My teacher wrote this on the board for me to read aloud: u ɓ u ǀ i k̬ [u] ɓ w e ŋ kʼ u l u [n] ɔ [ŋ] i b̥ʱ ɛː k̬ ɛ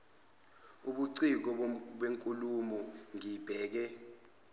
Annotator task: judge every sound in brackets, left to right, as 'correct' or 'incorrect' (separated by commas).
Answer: incorrect, incorrect, correct